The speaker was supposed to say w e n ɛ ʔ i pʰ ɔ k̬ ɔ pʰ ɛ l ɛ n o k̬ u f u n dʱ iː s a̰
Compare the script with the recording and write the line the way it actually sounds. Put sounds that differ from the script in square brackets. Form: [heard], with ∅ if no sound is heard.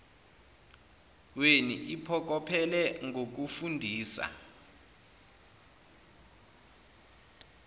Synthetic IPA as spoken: w e n [i] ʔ i pʰ ɔ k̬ ɔ pʰ ɛ l ɛ [ŋ] o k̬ u f u n dʱ iː s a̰